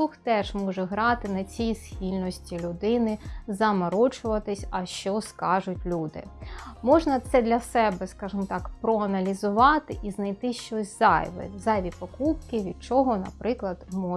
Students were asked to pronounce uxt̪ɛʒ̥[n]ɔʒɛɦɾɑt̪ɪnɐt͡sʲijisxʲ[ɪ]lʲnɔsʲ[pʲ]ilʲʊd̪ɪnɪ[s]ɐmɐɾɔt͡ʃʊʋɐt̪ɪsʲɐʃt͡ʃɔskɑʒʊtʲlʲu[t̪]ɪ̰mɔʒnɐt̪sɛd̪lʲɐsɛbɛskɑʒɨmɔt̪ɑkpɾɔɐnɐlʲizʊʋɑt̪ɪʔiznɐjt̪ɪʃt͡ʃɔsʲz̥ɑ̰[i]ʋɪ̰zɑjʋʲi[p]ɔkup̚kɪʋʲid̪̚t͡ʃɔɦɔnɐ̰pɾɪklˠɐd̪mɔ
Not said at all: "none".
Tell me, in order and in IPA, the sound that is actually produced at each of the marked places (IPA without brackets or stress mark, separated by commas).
m, i, tʲ, z, d̪, j, p